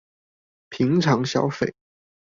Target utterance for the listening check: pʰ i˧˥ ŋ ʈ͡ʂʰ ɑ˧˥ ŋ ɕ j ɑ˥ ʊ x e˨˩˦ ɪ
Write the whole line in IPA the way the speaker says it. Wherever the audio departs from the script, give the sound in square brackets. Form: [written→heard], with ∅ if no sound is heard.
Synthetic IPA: pʰ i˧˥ ŋ ʈ͡ʂʰ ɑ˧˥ ŋ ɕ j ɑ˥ ʊ [x→f] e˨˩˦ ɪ